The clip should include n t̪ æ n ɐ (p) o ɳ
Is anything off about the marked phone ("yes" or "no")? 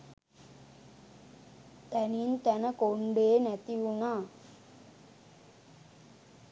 yes